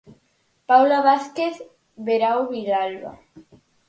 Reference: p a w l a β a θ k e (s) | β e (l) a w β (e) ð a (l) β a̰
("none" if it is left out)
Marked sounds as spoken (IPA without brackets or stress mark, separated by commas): θ, ɾ, i, l